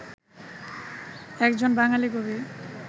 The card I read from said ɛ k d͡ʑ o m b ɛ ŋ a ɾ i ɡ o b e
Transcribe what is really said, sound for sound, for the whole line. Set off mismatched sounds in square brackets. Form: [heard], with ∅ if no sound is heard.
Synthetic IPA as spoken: ɛ k d͡ʑ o [n] b [a] ŋ a [l] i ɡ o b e